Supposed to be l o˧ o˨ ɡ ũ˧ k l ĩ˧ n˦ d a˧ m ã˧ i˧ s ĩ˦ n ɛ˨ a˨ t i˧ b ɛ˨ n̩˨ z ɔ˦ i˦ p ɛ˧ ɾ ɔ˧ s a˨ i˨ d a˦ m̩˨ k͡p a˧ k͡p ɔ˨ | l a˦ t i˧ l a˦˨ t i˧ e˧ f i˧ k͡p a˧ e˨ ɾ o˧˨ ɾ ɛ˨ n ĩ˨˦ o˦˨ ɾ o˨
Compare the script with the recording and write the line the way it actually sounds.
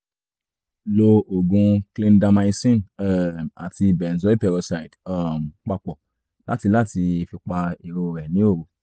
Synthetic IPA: l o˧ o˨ ɡ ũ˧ k l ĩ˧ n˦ d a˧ m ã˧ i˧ s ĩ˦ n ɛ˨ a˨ t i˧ b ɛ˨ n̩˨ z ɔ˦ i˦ p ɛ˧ ɾ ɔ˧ s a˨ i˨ d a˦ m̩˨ k͡p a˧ k͡p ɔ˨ | l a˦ t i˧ l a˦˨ t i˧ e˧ f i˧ k͡p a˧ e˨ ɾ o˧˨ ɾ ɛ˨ n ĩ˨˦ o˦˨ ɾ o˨